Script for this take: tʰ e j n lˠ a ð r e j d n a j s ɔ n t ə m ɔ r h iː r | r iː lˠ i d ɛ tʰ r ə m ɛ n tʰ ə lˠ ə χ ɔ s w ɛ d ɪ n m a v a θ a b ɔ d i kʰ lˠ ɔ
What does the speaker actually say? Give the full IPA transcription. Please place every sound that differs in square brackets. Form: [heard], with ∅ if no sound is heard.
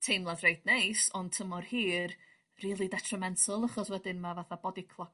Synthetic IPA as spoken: tʰ e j [m] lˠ a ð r e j d n [e] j s ɔ n [tʰ] ə m ɔ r h iː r | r iː lˠ i d ɛ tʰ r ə m ɛ n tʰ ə lˠ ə χ ɔ s w ɛ d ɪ n m a v a θ a b ɔ d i kʰ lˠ ɔ